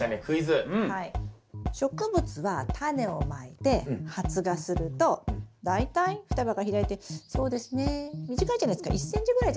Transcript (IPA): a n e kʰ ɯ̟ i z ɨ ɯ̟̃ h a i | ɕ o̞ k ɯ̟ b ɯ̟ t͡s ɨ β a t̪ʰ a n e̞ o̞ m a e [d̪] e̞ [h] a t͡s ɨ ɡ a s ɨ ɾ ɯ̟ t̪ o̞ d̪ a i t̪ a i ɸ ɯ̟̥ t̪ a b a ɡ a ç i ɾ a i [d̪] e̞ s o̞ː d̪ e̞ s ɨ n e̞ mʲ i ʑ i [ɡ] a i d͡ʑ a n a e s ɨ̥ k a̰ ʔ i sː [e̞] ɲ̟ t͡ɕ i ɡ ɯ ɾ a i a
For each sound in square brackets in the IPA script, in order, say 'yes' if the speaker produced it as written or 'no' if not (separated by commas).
no, yes, no, no, no